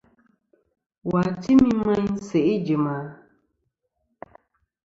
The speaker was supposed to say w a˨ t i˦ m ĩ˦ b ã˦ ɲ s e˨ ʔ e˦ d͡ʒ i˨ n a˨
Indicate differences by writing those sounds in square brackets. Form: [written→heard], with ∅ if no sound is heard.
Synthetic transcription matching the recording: w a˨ t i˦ m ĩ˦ [b→m] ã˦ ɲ s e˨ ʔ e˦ d͡ʒ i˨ [n→m] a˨